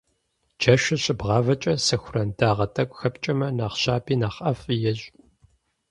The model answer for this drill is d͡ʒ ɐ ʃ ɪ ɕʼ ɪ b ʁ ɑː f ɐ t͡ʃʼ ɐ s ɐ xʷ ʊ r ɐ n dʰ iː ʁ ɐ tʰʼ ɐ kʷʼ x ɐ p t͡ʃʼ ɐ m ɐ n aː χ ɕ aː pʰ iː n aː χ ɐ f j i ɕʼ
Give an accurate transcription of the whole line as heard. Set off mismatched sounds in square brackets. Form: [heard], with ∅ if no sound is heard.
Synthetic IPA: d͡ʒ ɐ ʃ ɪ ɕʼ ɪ b ʁ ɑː [v] ɐ t͡ʃʼ ɐ s ɐ xʷ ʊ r ɐ n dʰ [aː] ʁ ɐ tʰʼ ɐ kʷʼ x ɐ p t͡ʃʼ ɐ m ɐ n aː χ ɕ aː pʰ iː n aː χ ɐ f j [ɛ] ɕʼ